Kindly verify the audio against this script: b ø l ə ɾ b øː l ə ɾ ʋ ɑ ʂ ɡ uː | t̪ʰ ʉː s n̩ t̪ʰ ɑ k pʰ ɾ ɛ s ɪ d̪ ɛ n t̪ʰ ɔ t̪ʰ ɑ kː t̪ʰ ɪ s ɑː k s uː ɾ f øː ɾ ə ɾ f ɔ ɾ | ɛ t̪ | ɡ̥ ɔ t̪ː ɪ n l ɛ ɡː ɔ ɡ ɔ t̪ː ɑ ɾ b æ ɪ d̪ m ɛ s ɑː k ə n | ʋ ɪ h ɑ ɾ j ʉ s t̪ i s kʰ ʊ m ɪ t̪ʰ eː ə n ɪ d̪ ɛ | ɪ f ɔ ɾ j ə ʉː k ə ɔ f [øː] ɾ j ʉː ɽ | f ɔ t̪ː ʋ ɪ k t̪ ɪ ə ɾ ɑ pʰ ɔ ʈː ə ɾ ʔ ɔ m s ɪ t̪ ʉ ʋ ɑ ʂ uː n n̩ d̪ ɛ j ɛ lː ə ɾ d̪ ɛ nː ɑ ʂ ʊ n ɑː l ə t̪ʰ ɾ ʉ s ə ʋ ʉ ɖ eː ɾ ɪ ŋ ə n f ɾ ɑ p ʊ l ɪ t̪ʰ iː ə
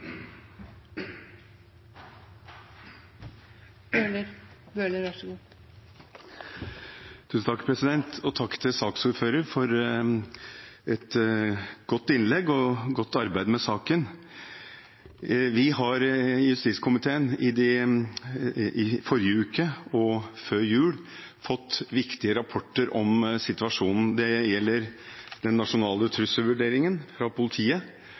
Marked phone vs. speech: correct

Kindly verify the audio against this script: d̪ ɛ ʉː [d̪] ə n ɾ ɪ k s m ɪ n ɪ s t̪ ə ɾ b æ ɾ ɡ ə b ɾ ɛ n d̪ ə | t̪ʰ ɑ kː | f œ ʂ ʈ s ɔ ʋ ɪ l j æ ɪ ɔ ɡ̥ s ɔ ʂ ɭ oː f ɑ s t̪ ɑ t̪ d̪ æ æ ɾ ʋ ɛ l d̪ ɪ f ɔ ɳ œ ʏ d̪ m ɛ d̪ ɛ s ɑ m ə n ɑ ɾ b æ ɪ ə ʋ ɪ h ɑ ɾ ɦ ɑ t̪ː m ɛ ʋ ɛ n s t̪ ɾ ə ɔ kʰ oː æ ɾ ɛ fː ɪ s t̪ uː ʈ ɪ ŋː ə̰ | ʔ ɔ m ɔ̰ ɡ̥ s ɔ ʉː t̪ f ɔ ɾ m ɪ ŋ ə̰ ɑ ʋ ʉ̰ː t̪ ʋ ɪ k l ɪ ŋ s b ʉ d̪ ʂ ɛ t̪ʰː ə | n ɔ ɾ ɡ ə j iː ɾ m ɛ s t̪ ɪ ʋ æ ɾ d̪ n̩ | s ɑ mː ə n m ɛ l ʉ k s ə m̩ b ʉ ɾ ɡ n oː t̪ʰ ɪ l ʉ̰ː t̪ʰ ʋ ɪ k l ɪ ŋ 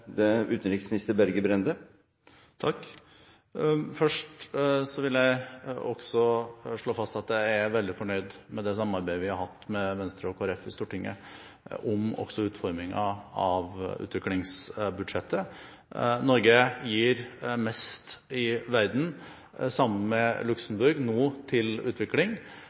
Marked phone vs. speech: incorrect: t̪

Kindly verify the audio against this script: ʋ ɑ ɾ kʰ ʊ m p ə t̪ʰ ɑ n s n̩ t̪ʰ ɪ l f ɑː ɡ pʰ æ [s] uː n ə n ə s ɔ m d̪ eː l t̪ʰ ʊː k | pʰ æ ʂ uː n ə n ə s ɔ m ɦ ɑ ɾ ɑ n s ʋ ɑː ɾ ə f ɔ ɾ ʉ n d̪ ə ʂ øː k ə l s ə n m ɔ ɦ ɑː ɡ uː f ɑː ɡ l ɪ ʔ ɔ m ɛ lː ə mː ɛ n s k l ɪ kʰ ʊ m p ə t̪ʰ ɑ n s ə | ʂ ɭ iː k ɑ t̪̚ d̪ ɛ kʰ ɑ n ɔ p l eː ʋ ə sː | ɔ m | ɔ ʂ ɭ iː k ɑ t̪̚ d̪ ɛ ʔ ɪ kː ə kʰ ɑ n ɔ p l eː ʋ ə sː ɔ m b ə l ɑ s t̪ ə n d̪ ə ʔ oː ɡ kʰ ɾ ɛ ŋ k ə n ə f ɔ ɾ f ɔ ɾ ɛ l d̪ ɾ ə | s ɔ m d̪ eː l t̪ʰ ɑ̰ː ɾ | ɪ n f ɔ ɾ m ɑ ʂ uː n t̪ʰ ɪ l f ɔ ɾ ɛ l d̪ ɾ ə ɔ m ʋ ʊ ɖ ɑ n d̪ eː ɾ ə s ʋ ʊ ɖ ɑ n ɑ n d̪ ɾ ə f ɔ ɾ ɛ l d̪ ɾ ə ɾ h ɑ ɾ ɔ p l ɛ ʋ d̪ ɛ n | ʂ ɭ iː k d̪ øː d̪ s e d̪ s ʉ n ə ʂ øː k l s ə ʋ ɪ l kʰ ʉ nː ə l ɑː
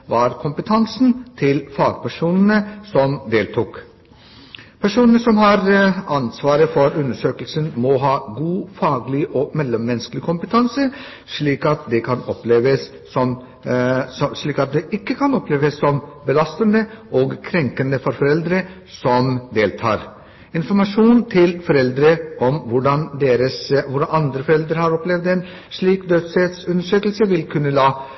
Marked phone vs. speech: incorrect: ʂ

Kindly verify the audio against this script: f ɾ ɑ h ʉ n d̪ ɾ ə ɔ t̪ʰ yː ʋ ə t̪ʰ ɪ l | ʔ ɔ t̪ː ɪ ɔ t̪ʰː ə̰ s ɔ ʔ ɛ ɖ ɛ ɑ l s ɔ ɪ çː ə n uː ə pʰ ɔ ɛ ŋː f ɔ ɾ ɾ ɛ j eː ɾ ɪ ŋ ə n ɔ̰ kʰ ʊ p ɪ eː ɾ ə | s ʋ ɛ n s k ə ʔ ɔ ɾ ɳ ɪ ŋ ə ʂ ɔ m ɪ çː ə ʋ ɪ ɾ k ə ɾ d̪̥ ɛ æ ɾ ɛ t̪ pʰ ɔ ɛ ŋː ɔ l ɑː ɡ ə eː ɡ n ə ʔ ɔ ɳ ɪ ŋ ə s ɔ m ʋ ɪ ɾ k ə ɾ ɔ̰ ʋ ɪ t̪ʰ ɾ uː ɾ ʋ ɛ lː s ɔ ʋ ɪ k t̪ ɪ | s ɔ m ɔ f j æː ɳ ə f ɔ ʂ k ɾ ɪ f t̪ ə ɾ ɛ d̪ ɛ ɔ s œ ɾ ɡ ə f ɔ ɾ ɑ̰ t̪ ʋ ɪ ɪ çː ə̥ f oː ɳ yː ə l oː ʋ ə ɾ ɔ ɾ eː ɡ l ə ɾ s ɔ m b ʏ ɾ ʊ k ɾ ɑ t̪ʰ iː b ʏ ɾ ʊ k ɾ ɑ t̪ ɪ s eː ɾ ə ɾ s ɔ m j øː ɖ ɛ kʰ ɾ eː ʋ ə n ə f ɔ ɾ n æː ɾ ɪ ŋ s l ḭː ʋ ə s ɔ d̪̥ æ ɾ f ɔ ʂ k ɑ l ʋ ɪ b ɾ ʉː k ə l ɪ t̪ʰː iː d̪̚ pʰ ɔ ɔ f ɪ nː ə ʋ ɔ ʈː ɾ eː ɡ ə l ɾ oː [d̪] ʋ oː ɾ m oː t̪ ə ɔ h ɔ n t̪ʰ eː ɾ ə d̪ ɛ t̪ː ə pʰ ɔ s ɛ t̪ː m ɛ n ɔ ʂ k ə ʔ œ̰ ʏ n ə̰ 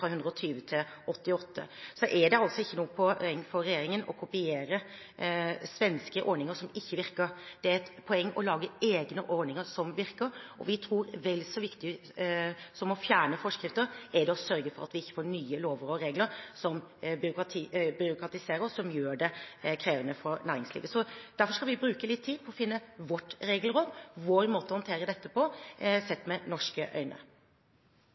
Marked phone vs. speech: correct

